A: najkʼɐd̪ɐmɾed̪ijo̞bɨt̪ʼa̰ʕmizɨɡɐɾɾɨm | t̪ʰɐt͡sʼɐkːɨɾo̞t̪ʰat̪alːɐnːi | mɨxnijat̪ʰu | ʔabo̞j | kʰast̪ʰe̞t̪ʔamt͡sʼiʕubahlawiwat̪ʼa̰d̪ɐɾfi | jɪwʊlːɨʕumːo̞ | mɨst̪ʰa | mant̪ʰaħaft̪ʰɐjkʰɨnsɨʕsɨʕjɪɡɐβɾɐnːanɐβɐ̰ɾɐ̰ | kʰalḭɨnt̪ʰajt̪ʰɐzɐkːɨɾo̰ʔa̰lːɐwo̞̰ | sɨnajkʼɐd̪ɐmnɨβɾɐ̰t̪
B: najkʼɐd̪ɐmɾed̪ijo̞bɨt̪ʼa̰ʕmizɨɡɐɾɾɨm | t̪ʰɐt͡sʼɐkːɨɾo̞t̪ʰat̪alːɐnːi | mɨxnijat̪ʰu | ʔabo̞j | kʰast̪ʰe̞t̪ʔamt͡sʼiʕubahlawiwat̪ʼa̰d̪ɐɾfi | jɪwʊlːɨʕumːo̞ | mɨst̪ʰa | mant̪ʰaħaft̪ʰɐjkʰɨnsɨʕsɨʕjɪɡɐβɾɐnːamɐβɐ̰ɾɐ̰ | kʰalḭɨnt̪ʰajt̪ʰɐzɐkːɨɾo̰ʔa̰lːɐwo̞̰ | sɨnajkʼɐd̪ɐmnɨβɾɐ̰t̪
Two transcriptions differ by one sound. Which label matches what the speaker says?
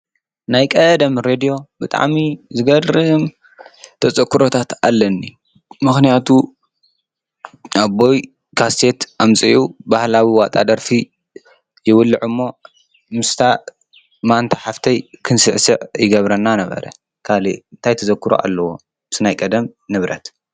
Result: A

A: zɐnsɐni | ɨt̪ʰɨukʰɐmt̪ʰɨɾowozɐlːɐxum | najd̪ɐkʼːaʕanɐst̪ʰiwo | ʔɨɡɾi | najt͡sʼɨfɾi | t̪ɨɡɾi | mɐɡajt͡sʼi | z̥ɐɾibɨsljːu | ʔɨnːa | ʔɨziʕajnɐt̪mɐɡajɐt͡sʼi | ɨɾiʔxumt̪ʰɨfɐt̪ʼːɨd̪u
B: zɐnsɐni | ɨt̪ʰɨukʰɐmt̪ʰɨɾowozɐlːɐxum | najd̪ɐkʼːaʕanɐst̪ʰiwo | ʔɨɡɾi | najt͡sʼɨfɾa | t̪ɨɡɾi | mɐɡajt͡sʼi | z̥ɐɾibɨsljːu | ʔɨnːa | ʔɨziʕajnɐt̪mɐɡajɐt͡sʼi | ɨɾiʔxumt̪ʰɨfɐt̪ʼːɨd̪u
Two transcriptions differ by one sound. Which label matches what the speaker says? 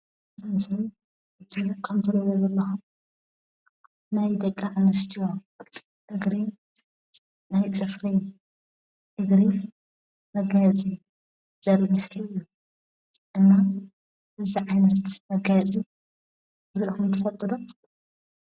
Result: A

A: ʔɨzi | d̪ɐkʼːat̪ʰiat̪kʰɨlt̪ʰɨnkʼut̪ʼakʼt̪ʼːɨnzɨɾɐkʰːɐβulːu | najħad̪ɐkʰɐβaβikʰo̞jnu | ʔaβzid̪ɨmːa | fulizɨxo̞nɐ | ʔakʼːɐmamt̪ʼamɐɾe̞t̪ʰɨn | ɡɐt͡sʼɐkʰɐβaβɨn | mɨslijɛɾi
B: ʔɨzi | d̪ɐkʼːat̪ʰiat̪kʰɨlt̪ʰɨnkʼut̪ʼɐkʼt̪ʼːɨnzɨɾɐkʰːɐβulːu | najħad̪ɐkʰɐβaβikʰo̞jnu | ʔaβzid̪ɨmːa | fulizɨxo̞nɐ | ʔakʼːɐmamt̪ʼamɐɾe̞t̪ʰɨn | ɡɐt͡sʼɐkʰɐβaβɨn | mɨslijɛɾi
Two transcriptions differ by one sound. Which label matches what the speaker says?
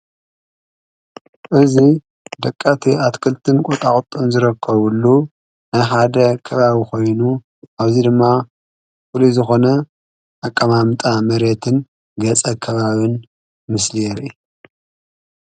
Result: A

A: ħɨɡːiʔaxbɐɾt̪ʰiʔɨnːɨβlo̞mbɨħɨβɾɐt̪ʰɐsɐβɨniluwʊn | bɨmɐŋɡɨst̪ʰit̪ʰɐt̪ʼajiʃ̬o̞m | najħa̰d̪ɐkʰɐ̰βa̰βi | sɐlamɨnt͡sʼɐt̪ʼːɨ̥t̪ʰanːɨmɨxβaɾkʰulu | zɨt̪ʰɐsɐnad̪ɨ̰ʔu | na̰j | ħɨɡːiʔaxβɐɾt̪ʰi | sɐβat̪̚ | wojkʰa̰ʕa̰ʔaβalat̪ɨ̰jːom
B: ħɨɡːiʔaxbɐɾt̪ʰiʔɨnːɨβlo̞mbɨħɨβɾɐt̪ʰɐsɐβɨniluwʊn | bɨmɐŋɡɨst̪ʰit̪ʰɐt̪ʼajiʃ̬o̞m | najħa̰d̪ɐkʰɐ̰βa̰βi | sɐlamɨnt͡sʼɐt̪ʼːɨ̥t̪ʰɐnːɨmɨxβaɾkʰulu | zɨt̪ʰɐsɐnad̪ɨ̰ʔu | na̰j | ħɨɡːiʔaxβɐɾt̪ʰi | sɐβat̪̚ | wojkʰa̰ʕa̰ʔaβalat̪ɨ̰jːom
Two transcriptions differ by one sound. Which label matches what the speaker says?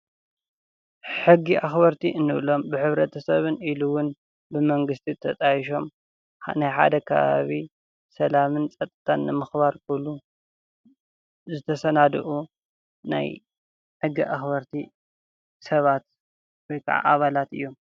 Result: A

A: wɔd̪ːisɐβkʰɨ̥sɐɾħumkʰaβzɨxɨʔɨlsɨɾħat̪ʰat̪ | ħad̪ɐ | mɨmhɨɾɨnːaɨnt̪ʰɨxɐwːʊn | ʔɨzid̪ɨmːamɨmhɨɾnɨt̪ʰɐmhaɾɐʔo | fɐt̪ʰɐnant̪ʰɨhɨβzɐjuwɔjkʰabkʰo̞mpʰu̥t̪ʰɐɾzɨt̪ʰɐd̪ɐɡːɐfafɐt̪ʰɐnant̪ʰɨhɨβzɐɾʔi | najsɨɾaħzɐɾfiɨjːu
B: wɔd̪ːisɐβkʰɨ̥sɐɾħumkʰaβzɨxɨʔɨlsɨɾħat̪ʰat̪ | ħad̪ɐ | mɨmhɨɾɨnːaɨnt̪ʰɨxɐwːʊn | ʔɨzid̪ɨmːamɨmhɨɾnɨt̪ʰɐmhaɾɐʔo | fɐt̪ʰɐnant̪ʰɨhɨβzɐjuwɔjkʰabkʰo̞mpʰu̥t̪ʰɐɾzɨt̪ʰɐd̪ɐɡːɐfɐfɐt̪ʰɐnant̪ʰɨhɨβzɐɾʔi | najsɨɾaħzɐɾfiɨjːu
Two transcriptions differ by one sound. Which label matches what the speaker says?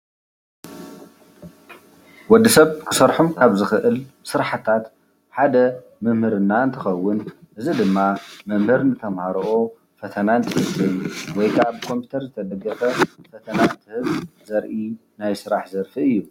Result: B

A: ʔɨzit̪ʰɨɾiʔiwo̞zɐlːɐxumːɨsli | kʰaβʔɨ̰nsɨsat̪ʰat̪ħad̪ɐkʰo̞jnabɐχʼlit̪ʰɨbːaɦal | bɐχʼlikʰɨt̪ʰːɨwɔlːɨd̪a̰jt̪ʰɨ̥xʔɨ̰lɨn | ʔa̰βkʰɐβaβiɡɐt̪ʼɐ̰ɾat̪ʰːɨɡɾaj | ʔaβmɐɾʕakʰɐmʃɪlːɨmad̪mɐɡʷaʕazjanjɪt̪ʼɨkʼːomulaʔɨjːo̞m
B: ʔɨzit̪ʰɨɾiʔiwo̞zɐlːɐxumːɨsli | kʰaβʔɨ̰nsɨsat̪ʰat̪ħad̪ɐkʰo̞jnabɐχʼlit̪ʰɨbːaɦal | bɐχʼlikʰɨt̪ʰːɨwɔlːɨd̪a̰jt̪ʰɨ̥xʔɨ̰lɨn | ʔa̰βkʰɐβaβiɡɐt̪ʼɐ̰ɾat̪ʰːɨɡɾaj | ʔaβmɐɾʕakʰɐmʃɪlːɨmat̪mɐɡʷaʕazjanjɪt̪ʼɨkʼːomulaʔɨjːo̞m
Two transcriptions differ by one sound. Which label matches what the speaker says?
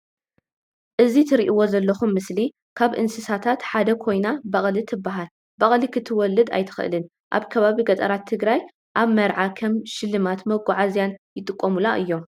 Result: B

